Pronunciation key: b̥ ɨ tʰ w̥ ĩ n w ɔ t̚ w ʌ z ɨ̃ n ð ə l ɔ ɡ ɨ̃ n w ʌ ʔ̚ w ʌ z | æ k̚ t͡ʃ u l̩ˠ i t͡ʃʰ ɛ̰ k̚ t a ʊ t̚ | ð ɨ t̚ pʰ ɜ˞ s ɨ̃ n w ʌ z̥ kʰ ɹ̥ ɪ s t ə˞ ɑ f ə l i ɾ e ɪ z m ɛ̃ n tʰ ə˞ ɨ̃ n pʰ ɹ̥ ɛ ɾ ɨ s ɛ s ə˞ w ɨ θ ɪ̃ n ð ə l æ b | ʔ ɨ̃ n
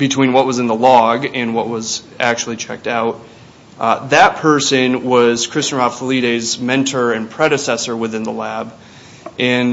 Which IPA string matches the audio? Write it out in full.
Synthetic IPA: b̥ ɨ tʰ w̥ ĩ n w ʌ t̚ w ʌ z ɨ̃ n ð ə l ɔ ɡ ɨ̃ n w ʌ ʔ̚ w ʌ z | æ k̚ t͡ʃ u l̩ˠ i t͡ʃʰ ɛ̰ k̚ t a ʊ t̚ | ð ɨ t̚ pʰ ɜ˞ s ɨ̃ n w ʌ z̥ kʰ ɹ̥ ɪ s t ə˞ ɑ f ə l i ɾ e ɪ z m ɛ̃ n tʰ ə˞ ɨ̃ n pʰ ɹ̥ ɛ ɾ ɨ s ɛ s ə˞ w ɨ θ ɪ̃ n ð ə l æ b | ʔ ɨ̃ n